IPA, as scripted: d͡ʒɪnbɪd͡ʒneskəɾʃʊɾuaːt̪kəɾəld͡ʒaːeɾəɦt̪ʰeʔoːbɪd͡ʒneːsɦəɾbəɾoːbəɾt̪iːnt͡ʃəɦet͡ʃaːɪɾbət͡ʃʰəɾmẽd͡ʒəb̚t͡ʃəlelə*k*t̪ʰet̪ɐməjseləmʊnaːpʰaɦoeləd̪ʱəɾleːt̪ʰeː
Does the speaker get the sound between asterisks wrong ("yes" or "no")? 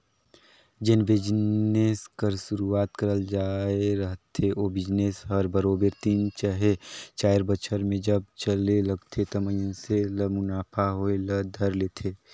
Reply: yes